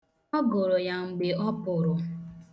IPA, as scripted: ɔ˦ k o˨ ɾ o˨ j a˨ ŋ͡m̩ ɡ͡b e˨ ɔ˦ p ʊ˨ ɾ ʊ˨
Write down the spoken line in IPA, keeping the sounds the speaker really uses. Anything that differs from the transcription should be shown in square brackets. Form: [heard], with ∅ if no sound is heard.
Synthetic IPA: ɔ˦ [ɡ] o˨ ɾ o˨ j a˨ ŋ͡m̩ ɡ͡b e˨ ɔ˦ p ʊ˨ ɾ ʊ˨

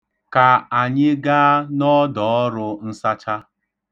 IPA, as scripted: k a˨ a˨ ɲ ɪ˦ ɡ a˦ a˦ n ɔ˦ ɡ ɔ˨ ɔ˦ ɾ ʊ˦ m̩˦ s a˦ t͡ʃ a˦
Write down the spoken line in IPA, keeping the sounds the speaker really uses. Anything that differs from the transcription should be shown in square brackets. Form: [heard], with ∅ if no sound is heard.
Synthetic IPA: k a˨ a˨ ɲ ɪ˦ ɡ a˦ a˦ n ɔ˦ [d] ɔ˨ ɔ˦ ɾ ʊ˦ [n̩˦] s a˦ t͡ʃ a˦

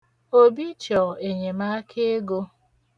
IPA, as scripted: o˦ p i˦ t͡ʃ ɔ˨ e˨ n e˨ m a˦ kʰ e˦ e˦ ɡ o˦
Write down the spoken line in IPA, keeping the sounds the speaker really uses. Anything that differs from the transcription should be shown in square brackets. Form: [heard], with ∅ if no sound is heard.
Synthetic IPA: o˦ [b] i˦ t͡ʃ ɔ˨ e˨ [ɲ] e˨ m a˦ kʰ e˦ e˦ ɡ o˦

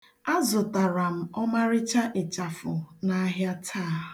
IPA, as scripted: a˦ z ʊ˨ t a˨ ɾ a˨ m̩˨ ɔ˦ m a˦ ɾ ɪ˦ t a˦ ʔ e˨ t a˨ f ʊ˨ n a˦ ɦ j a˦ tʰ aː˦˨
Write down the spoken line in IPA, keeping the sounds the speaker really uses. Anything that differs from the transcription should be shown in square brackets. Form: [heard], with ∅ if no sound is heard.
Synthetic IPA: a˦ z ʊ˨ t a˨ ɾ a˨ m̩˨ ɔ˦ m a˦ ɾ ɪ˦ [t͡ʃ] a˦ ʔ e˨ [t͡ʃ] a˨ f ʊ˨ n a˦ ɦ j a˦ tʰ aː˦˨

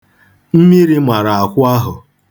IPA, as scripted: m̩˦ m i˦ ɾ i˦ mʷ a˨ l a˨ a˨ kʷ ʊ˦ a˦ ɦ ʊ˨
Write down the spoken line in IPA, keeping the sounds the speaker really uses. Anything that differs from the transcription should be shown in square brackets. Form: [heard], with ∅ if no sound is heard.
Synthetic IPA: m̩˦ m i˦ ɾ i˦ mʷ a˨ [ɾ] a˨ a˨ kʷ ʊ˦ a˦ ɦ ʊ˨

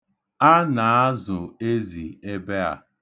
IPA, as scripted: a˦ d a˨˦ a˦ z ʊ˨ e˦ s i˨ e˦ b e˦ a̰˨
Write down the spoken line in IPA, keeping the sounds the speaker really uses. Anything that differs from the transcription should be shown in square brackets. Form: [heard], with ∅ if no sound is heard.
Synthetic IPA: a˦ [n] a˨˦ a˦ z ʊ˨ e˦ [z] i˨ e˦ b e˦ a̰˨

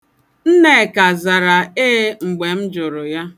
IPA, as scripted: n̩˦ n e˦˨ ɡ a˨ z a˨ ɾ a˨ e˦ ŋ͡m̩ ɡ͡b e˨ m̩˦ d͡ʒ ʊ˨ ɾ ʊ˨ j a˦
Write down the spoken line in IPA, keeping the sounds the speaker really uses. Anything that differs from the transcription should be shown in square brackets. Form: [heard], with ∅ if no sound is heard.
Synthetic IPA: n̩˦ n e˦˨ [k] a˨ z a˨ ɾ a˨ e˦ ŋ͡m̩ ɡ͡b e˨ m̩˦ d͡ʒ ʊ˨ ɾ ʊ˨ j a˦

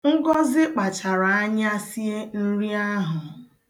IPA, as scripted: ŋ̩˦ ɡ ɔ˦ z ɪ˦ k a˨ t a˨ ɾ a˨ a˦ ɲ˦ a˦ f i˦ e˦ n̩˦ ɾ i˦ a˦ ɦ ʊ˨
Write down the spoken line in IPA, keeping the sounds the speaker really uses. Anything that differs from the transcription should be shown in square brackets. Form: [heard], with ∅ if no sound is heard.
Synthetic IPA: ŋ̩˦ ɡ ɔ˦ z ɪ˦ [k͡p] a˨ [t͡ʃ] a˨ ɾ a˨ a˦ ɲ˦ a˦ [s] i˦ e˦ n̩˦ ɾ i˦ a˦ ɦ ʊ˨

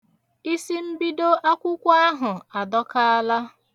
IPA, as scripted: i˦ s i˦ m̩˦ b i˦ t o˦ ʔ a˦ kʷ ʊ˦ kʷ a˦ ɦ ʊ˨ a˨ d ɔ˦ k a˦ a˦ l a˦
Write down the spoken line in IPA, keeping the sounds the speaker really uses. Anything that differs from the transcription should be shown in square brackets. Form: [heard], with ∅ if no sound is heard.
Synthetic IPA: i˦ s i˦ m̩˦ b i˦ [d] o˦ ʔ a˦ kʷ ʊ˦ kʷ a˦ ɦ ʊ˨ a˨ d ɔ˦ k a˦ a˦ l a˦

